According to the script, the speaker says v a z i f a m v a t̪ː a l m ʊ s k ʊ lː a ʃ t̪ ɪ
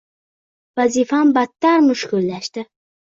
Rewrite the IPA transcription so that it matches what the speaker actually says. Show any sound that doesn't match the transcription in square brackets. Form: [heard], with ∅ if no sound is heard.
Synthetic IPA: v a z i f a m [b] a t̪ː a [ɾ] m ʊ [ʃ] k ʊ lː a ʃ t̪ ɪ